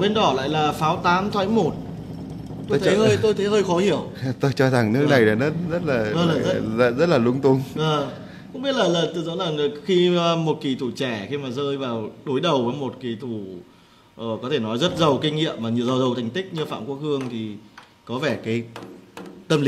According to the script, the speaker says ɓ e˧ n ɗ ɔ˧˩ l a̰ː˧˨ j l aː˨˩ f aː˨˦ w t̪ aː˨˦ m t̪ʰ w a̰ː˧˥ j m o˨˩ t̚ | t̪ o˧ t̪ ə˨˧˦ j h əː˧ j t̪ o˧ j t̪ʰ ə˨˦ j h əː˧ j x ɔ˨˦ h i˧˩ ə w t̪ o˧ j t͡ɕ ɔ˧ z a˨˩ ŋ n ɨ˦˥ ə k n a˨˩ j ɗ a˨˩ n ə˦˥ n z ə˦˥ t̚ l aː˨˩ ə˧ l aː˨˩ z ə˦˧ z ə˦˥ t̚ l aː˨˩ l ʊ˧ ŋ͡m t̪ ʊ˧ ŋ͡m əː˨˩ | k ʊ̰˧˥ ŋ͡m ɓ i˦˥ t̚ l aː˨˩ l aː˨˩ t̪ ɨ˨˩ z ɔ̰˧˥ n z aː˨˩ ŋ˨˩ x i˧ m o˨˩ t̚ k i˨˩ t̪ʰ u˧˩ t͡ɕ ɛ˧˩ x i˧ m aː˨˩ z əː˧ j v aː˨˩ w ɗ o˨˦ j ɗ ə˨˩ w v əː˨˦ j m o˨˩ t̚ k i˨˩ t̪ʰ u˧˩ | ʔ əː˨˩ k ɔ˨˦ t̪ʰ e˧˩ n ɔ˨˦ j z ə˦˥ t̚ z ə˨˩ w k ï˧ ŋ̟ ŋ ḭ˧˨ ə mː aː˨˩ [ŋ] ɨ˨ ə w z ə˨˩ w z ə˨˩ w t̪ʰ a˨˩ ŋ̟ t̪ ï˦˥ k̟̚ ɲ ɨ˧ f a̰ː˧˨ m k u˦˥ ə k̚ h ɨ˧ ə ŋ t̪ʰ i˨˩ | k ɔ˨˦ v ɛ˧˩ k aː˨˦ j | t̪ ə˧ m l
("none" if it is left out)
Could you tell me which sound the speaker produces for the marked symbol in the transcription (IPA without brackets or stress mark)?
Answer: ɲ